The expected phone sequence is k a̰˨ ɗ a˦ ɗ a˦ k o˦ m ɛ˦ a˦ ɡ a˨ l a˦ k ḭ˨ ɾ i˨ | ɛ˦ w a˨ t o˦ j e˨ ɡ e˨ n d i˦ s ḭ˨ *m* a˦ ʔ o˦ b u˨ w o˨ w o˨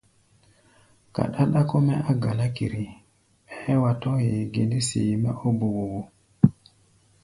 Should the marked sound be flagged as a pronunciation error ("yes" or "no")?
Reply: no